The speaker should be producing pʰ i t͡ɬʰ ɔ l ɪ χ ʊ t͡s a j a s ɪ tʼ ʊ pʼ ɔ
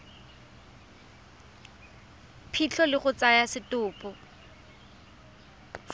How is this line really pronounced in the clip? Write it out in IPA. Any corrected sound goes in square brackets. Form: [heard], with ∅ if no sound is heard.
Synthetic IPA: pʰ i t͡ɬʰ ɔ l ɪ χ ʊ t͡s a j a s ɪ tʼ [ʊː] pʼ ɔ